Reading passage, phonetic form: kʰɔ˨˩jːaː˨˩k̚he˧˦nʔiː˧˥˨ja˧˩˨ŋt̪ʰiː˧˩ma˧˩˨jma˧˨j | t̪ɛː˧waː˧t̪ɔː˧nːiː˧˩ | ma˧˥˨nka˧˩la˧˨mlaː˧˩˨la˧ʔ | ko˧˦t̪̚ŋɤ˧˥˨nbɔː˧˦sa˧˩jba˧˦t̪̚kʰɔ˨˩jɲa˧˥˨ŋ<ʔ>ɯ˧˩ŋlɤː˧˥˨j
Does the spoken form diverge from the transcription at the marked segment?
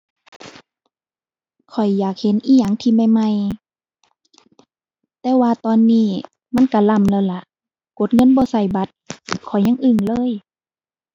no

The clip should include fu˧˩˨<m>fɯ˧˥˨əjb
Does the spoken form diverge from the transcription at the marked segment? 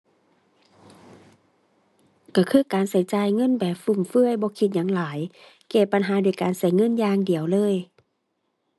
no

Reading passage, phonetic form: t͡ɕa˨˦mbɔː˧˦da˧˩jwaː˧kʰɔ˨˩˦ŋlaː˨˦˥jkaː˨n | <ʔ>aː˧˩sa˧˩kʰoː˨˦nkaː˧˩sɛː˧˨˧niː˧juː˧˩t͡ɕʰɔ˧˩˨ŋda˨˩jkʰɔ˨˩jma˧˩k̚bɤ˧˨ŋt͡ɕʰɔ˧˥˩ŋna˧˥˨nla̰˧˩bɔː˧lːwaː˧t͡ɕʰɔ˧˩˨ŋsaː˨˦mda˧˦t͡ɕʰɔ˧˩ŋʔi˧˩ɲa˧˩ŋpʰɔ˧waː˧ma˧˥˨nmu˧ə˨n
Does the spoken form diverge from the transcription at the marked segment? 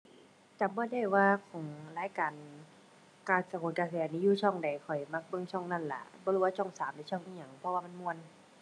yes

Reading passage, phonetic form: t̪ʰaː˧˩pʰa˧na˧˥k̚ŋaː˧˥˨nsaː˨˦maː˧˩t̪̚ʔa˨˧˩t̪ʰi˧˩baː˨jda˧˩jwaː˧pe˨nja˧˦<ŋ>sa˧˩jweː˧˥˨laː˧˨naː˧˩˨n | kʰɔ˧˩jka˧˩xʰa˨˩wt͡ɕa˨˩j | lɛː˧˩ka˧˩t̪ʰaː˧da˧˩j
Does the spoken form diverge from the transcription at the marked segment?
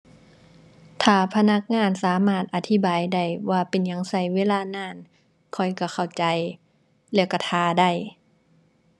no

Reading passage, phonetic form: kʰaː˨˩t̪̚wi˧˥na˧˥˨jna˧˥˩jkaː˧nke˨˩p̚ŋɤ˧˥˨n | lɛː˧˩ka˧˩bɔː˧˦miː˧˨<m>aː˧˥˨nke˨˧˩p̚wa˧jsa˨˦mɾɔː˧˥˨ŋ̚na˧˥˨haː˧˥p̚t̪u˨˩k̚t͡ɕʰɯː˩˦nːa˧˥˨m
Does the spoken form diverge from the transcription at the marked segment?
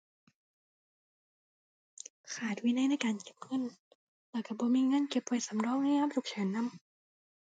yes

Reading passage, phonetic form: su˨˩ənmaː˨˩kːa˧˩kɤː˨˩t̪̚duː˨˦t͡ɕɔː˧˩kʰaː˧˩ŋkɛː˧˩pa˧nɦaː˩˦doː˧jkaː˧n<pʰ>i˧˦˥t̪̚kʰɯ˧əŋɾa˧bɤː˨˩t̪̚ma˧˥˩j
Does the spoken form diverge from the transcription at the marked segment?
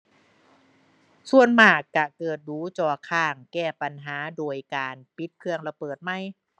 yes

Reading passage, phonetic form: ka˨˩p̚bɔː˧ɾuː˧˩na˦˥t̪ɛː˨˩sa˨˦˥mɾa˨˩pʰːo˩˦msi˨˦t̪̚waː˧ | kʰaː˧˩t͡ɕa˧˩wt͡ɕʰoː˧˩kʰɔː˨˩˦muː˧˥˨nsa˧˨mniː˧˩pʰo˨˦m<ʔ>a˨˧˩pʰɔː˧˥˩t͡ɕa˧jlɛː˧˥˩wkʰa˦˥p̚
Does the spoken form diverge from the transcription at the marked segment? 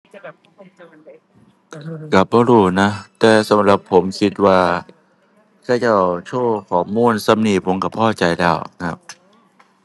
yes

